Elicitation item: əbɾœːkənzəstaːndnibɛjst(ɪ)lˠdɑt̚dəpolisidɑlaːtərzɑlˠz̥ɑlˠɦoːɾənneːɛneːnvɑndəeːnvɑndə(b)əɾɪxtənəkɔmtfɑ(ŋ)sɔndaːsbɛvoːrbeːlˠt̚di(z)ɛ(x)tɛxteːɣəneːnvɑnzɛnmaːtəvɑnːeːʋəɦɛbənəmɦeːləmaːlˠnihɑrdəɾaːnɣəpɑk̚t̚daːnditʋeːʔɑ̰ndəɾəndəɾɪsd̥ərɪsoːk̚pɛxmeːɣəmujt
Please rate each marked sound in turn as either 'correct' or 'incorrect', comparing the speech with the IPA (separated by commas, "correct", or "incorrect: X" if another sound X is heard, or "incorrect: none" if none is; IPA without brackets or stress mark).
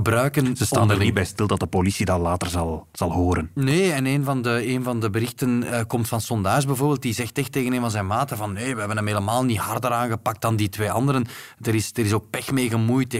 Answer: correct, correct, incorrect: n, correct, correct